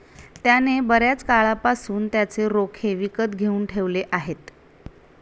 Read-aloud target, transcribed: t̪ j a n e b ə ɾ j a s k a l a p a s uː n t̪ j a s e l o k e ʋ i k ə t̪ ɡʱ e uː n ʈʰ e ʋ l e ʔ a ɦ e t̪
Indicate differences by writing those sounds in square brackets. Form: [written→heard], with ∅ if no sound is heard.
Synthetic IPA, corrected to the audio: t̪ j a n e b ə ɾ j a [s→t͡s] k a [l→ɭ] a p a s uː n t̪ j a [s→t͡s] e [l→ɾ] o [k→kʰ] e ʋ i k ə t̪ ɡʱ e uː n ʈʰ e ʋ l e ʔ a ɦ e t̪